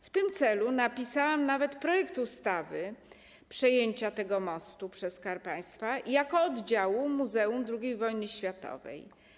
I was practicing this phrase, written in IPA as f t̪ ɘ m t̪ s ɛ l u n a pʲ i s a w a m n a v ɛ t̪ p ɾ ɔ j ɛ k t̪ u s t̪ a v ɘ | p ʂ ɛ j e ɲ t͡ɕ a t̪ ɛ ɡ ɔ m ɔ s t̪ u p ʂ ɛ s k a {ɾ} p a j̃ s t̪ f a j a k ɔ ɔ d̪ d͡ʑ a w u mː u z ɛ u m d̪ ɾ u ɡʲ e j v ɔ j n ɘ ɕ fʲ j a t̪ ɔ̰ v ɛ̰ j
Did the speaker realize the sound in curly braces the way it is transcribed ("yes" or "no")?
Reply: yes